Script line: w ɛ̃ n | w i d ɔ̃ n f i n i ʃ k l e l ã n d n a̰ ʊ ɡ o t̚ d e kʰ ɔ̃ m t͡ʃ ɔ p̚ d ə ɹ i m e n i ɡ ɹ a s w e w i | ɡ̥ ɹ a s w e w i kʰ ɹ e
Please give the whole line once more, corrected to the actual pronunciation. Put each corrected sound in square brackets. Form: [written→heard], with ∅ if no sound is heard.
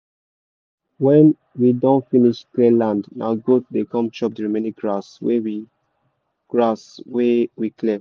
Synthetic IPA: w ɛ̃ n | w i d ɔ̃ n f i n i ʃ k l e l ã n d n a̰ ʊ ɡ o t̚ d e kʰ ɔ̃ m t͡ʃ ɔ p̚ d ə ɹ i m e n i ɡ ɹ a s w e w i | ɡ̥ ɹ a s w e w i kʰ [ɹ→l] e

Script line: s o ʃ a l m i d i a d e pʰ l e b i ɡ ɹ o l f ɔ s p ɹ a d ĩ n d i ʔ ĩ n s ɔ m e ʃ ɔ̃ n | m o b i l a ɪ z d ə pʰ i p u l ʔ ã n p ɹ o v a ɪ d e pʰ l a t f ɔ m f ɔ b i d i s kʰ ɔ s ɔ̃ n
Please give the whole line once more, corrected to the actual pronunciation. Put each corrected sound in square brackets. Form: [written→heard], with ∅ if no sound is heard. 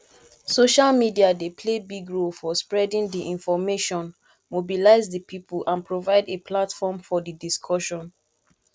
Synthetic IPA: s o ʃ a l m i d i a d e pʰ l e b i ɡ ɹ o l f ɔ s p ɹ [a→ɛ] d ĩ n d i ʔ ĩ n [s→f] ɔ m e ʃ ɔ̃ n | m o b i l a ɪ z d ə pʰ i p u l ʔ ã n p ɹ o v a ɪ d e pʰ l a t f ɔ m f ɔ [b→d] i d i s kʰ ɔ [s→ʃ] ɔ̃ n

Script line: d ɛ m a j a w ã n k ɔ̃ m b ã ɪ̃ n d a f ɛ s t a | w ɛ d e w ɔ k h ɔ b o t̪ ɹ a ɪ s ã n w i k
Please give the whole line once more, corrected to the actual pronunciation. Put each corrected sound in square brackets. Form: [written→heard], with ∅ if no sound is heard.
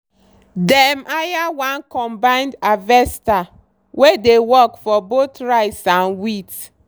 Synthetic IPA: d ɛ m a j a w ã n k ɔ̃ m b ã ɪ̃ n d a [f→v] ɛ s t a | w [ɛ→e] d e w ɔ k [h→f] ɔ b o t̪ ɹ a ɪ s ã n w i [k→t]

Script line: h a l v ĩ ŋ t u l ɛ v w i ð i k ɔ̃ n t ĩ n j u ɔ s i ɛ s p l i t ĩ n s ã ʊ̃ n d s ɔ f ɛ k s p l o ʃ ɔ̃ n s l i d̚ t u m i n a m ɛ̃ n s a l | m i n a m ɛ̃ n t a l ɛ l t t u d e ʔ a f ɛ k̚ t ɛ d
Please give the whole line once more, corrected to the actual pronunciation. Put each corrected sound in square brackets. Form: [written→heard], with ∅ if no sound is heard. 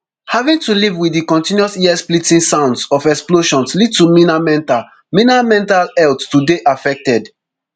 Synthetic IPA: h a [l→∅] v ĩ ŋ t u l [ɛ→i] v w i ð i k ɔ̃ n t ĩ n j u ɔ s i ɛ s p l i t ĩ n s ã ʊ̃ n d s ɔ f ɛ k s p l o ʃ ɔ̃ n s l i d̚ t u m i n a m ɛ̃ n [s→t] a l | m i n a m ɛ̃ n t a l ɛ l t t u d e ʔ a f ɛ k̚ t ɛ d

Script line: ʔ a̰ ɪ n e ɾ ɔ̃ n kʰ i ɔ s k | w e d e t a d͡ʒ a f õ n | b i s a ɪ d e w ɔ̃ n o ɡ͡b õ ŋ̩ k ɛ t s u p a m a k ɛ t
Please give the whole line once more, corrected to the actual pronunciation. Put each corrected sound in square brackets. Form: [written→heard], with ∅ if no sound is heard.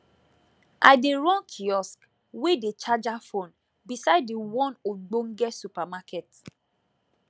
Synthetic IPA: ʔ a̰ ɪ [n→d] e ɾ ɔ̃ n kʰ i ɔ s k | w e d e [t→t͡ʃ] a d͡ʒ a f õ n | b i s a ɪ d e w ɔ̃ n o ɡ͡b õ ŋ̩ [k→ɡ] ɛ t s u p a m a k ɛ t

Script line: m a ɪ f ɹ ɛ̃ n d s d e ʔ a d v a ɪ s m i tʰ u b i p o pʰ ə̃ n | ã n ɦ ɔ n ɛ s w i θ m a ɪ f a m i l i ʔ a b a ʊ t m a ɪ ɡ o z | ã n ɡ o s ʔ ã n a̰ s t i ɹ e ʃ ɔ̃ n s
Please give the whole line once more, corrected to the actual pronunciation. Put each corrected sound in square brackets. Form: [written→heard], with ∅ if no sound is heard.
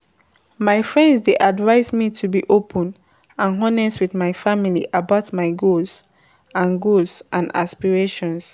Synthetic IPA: m a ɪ f ɹ ɛ̃ n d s d e ʔ a d v a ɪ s m i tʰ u b i [p→ʔ] o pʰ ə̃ n | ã n ɦ ɔ n ɛ s w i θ m a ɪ f a m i l i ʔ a b a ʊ t m a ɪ ɡ o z | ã n ɡ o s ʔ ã n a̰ s [t→p] i ɹ e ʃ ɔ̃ n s

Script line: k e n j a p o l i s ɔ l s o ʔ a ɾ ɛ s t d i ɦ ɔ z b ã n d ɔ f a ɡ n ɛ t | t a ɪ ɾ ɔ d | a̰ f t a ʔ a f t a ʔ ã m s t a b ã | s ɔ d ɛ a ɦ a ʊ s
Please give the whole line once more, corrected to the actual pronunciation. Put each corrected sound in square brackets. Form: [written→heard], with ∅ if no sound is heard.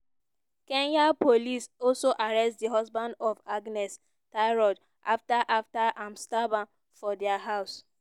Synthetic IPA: k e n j a p o l i s ɔ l s o ʔ a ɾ ɛ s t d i ɦ ɔ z b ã n d ɔ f a ɡ n ɛ [t→s] | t a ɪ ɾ ɔ d | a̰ f t a ʔ a f t a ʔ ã m s t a b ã | [s→f] ɔ d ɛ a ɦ a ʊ s

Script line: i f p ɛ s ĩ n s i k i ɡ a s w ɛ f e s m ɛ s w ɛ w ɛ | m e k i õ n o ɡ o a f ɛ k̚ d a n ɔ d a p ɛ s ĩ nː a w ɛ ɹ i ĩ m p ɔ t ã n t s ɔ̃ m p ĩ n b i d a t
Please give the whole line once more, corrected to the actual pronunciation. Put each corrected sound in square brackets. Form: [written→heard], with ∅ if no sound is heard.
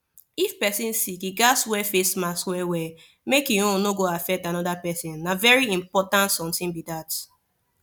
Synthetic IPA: i f p ɛ s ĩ n s i k i ɡ a s w ɛ f e s m [ɛ→a] s w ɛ w ɛ | m e k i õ n o ɡ o a f ɛ k̚ [d→t] a n ɔ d a p ɛ s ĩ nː a [w→v] ɛ ɹ i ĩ m p ɔ t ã n t s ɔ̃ m [p→t] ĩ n b i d a t

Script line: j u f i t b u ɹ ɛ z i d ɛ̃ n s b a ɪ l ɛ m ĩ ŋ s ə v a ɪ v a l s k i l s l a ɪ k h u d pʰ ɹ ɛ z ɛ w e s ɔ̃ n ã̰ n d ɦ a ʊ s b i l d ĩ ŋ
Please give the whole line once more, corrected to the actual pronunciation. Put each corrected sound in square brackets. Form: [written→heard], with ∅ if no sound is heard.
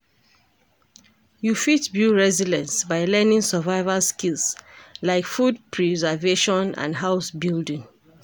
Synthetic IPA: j u f i t b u ɹ ɛ z i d ɛ̃ n s b a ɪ l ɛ [m→n] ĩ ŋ s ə v a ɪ v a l s k i l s l a ɪ k [h→f] u d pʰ ɹ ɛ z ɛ [w→v] e [s→ʃ] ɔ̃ n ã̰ n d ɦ a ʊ s b i l d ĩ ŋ

